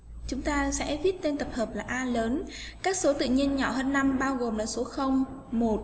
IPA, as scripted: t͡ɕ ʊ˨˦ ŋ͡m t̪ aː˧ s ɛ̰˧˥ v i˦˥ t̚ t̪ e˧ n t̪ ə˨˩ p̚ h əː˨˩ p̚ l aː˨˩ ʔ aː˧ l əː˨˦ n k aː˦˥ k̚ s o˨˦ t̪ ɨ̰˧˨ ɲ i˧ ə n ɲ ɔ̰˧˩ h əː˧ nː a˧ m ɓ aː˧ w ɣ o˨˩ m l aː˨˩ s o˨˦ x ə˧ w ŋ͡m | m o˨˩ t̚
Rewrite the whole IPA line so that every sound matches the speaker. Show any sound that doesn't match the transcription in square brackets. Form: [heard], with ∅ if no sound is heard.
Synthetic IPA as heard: t͡ɕ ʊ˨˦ ŋ͡m t̪ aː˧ s ɛ̰˧˥ v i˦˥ t̚ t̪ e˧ n t̪ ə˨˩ p̚ h əː˨˩ p̚ l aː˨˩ ʔ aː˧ l əː˨˦ n k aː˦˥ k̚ s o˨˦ t̪ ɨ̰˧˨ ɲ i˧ ə n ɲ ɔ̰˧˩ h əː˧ nː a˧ m ɓ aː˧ w ɣ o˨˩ m l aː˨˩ s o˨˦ x ə˧ w ŋ͡m | m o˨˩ t̚